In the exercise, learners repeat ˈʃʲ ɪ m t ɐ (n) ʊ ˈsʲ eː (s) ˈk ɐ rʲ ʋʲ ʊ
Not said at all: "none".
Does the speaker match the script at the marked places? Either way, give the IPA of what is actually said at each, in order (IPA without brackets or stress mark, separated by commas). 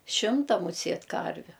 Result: m, t